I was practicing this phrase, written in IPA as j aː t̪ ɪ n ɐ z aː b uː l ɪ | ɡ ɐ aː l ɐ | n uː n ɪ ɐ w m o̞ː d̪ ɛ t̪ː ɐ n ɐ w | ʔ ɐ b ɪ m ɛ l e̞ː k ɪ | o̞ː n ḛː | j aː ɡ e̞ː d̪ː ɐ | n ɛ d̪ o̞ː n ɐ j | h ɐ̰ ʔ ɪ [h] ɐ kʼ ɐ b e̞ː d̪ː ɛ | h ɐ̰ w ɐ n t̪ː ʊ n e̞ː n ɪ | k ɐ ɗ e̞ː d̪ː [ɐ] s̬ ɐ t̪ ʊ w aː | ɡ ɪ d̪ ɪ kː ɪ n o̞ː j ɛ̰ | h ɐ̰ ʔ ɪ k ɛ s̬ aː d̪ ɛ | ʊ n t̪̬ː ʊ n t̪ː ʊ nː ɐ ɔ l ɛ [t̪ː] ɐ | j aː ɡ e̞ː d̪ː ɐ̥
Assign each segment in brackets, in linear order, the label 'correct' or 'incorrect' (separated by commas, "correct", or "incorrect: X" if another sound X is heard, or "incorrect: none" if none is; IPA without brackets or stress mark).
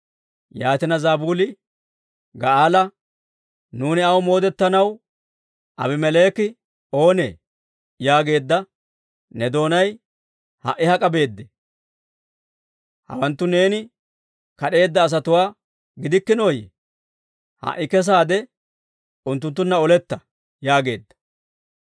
correct, incorrect: ɐː, correct